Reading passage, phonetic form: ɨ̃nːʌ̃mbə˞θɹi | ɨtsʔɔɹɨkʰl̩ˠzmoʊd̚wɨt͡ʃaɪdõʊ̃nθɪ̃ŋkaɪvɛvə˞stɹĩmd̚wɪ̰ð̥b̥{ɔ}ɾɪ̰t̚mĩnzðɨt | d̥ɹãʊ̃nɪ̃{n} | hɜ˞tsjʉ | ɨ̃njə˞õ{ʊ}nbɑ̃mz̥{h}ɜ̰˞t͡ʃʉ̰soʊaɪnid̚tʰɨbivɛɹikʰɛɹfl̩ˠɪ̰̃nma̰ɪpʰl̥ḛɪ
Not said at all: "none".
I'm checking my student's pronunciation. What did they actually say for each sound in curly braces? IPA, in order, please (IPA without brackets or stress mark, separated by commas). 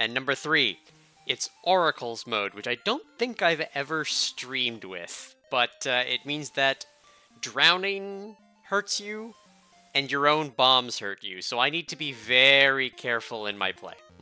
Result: ʌ, ŋ, ʊ̃, h